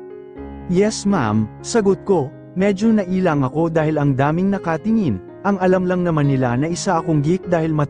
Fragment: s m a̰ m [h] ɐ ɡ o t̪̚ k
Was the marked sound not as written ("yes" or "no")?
yes